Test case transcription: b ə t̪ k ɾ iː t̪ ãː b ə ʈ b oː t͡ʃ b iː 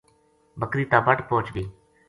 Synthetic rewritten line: b ə k ɾ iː t̪ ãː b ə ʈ p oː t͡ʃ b iː